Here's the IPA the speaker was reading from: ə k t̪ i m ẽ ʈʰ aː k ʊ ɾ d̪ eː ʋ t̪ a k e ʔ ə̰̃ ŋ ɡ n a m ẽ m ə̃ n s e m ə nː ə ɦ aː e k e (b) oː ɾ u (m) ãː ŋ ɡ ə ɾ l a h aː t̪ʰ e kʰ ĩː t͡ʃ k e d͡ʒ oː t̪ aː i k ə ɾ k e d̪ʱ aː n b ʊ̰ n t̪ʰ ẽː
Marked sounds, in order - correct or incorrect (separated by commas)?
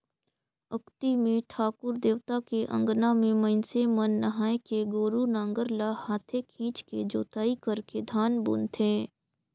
incorrect, incorrect